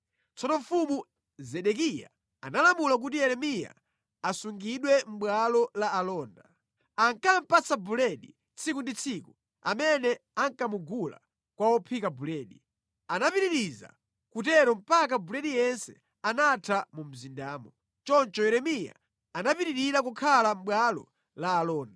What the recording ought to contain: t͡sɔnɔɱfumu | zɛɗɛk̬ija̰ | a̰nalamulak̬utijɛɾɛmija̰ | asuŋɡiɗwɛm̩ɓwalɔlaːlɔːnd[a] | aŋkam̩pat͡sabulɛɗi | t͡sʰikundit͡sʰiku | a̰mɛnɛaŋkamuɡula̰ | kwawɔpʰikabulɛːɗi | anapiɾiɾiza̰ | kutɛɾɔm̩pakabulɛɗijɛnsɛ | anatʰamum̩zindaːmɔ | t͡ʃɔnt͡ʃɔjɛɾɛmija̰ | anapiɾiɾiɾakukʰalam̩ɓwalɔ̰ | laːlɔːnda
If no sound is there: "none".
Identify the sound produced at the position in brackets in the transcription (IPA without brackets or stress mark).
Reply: a